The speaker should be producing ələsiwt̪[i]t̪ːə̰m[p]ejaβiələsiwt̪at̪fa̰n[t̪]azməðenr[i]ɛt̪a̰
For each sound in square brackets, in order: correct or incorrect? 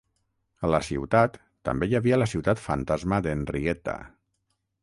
incorrect: a, incorrect: b, correct, correct

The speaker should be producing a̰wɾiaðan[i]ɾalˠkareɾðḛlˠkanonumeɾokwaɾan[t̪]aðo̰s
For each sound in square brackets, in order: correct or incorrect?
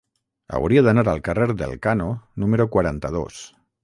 incorrect: a, correct

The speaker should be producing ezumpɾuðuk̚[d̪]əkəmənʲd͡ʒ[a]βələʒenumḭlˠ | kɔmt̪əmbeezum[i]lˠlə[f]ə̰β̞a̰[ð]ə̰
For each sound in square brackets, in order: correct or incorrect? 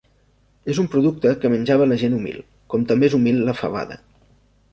incorrect: t̪, correct, correct, correct, correct

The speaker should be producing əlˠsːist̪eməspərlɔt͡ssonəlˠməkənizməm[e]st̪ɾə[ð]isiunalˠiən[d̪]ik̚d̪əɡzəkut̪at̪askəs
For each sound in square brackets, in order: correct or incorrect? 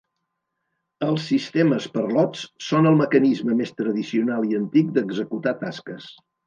correct, correct, incorrect: t̪

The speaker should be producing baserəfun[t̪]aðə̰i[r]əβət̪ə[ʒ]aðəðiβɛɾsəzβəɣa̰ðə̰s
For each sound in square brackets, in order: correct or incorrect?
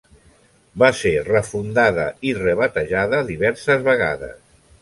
incorrect: d̪, correct, correct

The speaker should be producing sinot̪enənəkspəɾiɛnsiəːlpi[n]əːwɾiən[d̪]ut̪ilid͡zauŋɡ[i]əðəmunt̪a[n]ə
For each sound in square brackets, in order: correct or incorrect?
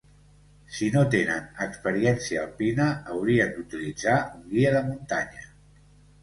correct, correct, correct, incorrect: ɲ

